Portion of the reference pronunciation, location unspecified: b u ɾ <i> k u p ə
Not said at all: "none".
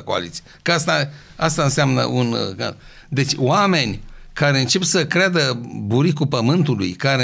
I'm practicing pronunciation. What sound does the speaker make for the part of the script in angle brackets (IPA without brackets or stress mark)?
i